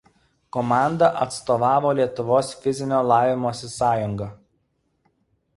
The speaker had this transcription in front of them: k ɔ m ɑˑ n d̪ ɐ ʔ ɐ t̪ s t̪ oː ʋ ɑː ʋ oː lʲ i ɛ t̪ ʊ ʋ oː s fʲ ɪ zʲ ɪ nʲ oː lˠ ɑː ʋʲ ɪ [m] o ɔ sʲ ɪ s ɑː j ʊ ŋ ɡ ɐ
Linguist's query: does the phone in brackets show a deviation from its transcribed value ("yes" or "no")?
no